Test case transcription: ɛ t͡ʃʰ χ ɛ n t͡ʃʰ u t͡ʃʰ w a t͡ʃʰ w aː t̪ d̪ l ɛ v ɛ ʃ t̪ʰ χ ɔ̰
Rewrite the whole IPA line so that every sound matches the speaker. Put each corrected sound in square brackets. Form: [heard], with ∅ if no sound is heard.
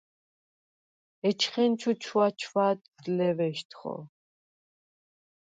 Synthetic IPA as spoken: ɛ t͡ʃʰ χ ɛ n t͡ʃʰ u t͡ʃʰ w a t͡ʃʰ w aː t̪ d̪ l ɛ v ɛ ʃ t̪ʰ χ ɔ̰